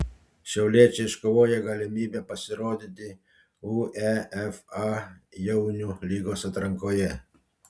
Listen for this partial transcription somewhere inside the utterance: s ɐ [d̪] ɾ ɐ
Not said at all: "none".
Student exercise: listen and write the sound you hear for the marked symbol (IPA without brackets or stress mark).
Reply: t̪